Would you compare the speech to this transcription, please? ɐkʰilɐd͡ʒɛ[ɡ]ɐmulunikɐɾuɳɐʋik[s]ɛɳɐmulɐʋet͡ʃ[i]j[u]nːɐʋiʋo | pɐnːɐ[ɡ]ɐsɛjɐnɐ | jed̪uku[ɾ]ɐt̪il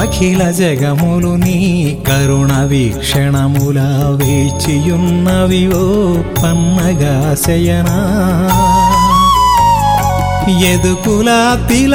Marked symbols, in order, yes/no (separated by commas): yes, no, yes, yes, yes, no